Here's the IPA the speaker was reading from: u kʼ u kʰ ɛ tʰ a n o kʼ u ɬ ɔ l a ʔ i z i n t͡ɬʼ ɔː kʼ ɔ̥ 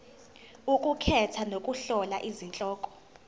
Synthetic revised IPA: u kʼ u kʰ ɛ tʰ a n o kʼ u ɬ ɔ l a ʔ i z i n t͡ɬʼ ɔː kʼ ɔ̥